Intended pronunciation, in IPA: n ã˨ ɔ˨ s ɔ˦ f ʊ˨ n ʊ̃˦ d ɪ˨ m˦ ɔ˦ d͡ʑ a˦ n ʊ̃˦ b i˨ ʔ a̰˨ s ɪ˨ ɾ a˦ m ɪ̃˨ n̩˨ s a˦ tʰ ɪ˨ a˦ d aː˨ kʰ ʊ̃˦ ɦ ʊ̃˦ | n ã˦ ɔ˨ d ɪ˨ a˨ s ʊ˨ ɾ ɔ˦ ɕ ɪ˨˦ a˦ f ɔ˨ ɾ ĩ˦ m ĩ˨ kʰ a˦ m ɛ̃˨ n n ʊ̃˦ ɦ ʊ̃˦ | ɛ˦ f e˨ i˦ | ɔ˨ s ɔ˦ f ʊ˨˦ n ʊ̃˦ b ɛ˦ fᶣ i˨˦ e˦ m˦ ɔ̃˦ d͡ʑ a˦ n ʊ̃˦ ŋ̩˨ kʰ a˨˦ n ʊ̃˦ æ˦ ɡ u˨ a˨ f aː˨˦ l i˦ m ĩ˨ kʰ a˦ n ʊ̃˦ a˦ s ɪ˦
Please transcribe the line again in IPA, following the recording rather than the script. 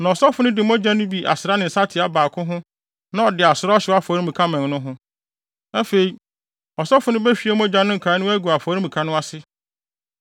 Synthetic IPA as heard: n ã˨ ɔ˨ s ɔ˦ f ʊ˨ n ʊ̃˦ d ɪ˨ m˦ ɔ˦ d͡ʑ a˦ n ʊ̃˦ b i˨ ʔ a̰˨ s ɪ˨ ɾ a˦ n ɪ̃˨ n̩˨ s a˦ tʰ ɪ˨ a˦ b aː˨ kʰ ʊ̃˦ ɦ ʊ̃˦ | n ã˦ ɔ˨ d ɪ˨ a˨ s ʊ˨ ɾ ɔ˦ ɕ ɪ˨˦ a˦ f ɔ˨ ɾ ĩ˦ m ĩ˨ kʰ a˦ m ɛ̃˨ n n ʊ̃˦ ɦ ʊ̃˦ | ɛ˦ f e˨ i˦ | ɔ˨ s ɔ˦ f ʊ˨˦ n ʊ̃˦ b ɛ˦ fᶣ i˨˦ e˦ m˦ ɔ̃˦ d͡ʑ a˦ n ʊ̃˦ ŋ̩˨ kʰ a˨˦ n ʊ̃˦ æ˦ ɡ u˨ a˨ f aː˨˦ ɾ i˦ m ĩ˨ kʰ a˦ n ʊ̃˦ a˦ s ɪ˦

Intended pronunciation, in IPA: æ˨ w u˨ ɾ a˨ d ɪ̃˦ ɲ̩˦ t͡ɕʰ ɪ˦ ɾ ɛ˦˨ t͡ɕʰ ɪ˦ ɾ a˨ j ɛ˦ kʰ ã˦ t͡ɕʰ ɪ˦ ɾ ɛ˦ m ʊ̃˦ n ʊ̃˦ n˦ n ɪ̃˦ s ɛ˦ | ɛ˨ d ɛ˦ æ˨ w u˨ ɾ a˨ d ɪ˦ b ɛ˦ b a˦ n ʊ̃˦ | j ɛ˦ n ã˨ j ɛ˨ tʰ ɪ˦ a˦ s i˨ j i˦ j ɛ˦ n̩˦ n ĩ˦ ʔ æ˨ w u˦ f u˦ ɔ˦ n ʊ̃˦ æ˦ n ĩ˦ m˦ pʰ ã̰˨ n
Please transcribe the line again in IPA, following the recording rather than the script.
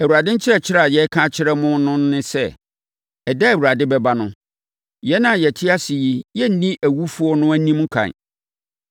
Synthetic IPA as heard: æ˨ w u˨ ɾ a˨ d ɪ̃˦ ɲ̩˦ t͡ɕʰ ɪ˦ ɾ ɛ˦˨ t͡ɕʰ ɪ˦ ɾ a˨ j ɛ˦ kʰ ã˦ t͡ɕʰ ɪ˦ ɾ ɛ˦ m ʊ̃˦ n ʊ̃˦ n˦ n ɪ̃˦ s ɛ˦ | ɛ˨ d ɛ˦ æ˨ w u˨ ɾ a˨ d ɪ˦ b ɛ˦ b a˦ n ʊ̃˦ | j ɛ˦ n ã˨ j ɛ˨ tʰ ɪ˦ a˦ s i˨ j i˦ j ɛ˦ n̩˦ n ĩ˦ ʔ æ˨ w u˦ f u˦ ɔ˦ n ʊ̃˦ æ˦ n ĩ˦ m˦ kʰ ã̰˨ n

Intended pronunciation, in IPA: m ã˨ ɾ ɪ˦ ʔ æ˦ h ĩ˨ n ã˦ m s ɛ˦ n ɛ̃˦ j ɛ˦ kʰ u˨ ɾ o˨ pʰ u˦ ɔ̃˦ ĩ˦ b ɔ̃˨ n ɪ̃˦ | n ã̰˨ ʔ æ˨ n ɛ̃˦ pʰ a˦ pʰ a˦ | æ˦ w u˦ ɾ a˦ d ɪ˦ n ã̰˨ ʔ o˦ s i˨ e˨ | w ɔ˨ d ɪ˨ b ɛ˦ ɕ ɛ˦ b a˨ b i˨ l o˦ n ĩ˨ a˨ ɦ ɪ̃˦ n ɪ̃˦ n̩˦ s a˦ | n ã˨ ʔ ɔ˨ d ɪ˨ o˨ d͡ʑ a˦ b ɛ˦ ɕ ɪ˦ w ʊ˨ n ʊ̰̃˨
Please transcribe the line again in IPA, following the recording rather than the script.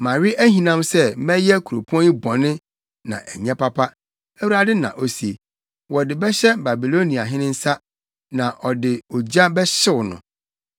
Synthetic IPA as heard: m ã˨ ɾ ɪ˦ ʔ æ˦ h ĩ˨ n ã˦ m s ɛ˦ m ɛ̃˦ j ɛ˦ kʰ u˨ ɾ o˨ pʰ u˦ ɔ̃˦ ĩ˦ b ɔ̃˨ n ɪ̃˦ | n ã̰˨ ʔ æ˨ ɲ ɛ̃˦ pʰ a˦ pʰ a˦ | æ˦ w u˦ ɾ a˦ d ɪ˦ n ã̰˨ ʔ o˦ s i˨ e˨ | w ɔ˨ d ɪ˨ b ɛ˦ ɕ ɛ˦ b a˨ b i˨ l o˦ n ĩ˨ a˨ ɦ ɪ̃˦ n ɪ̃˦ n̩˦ s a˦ | n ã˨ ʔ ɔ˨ d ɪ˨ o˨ d͡ʑ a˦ b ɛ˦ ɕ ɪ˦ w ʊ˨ n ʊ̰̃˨

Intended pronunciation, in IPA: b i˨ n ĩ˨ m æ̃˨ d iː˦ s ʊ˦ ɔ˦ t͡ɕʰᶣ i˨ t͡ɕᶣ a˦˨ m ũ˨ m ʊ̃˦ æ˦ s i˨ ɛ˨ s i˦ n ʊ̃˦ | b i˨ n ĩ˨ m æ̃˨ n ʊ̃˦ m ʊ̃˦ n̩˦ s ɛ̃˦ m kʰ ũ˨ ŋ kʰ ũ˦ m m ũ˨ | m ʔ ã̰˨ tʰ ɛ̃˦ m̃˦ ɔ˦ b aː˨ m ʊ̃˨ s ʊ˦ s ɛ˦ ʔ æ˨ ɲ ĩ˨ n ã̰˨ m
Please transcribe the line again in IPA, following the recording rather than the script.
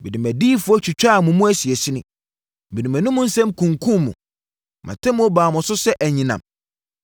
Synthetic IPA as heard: b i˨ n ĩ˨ m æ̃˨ d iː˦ f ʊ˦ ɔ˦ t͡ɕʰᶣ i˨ t͡ɕᶣ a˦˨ m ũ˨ m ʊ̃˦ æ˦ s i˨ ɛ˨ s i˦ n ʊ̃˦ | b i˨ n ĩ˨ m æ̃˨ n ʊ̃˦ m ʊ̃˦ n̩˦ s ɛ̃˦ m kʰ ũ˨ ŋ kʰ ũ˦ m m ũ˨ | m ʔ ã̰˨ tʰ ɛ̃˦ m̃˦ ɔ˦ b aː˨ m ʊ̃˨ s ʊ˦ s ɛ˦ ʔ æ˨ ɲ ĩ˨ n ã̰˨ m

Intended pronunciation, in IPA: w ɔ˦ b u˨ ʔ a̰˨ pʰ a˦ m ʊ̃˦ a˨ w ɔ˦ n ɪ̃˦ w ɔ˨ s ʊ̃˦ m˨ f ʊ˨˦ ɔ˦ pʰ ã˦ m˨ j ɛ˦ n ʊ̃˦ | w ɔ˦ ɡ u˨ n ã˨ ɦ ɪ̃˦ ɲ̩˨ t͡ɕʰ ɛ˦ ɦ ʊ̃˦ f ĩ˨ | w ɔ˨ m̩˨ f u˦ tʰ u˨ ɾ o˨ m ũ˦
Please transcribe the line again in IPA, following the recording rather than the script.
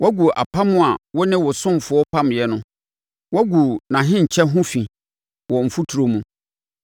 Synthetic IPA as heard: w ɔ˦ ɡ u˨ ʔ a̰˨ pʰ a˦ m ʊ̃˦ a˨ w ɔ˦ n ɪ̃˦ w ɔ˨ s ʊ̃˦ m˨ f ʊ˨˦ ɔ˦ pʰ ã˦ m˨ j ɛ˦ n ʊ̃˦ | w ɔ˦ ɡ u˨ n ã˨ ɦ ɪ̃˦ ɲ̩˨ t͡ɕʰ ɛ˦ ɦ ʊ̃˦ f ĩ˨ | w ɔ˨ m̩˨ f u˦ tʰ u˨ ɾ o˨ m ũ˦

